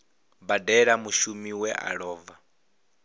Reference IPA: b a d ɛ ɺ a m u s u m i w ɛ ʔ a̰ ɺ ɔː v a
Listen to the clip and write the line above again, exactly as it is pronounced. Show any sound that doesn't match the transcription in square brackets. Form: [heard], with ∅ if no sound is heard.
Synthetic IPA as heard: b a d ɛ ɺ a m u [ʃ] u m i w ɛ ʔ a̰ ɺ ɔː v a